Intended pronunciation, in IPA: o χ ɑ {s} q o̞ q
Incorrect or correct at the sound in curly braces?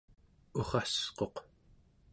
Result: correct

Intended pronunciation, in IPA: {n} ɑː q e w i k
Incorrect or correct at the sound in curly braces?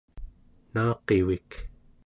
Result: correct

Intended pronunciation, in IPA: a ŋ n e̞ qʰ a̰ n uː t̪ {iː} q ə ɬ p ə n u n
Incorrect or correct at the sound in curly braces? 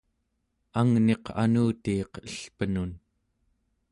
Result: correct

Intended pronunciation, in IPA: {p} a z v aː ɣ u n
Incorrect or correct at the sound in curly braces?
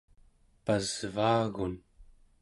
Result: correct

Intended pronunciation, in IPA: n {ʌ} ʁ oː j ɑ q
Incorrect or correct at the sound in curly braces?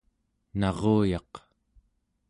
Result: incorrect: ɑ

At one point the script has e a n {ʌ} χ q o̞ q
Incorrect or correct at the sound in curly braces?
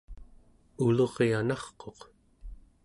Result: incorrect: ɑ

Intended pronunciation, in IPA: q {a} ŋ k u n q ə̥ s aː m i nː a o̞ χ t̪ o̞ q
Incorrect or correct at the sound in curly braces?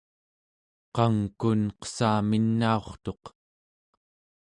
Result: incorrect: ɑ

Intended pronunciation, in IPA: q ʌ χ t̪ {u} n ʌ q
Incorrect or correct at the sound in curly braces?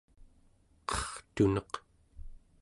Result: correct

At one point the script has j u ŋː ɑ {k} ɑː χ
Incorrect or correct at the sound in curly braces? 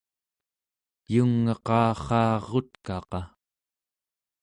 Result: incorrect: q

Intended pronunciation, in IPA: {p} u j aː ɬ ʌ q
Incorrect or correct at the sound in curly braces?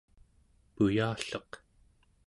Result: correct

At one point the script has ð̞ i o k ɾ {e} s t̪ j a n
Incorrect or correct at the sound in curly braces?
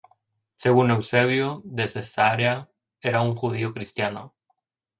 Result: incorrect: i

